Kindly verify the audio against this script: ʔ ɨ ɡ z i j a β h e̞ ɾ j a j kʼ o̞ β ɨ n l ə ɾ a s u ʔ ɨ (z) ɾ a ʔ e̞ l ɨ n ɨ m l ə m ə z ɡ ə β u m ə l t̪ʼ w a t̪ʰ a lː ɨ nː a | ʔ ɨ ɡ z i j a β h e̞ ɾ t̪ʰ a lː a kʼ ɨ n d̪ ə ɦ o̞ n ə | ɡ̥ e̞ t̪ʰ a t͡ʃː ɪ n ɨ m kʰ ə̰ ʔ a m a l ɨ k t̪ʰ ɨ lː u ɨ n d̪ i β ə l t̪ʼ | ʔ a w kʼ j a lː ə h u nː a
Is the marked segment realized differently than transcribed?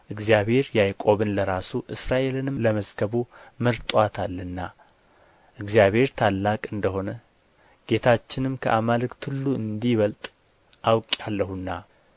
yes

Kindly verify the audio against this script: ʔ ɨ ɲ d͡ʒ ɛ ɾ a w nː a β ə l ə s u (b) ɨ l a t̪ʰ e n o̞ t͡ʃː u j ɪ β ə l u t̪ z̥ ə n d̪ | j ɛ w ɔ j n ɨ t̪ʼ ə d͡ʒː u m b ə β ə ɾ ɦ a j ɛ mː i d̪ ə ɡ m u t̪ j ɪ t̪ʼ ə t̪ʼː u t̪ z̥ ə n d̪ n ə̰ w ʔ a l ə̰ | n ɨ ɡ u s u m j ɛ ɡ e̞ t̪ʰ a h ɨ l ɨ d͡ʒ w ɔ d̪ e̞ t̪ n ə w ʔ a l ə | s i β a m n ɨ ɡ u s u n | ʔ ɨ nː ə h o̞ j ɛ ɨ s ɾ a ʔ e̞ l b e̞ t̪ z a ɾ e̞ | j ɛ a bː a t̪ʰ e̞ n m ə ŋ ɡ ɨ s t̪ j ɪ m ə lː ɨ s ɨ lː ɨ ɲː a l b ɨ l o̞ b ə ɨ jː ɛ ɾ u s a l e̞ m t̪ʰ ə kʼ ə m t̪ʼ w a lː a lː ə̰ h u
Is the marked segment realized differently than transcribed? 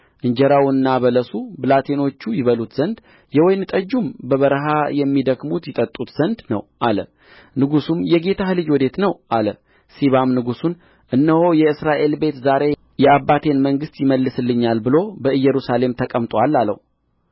no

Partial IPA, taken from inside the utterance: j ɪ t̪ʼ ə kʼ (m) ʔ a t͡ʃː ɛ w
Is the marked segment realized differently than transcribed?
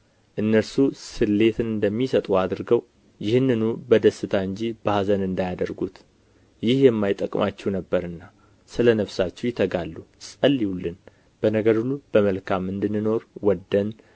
no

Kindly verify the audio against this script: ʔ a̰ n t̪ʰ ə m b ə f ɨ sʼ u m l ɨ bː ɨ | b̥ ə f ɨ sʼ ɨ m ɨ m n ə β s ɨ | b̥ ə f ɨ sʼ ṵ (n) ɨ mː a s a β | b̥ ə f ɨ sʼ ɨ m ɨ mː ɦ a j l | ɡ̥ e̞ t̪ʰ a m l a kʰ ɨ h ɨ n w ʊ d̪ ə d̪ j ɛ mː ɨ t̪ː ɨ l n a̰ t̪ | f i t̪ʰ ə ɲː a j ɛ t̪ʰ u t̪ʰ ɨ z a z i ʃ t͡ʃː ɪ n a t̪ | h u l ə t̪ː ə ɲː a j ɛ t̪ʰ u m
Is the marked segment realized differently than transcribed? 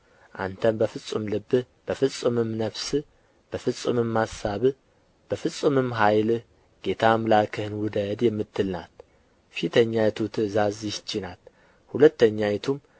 yes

